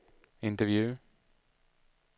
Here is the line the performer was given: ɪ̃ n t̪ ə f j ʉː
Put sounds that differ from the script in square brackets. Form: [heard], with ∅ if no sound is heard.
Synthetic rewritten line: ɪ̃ n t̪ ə [v] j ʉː